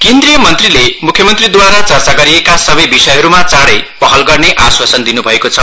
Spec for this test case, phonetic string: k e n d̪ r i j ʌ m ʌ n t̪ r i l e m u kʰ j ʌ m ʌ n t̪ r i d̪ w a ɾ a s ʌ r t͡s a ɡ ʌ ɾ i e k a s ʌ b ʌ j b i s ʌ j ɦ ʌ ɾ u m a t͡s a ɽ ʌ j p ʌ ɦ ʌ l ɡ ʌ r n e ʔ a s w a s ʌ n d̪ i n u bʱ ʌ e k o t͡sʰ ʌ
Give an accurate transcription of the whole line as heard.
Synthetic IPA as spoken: k e n d̪ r i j ʌ m ʌ n t̪ r i l e m u kʰ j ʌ m ʌ n t̪ r i d̪ w a ɾ a t͡s ʌ r t͡s a ɡ ʌ ɾ i e k a s ʌ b ʌ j b i s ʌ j ɦ ʌ ɾ u m a t͡s a ɽ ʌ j p ʌ ɦ ʌ l ɡ ʌ r n e ʔ a s w a s ʌ n d̪ i n u bʱ ʌ e k o t͡sʰ ʌ